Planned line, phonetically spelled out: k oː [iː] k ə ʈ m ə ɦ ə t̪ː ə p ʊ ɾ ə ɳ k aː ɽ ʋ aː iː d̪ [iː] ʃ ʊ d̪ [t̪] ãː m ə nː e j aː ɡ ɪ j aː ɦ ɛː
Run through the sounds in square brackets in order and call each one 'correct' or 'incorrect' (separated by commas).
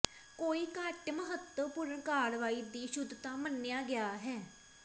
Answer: correct, correct, correct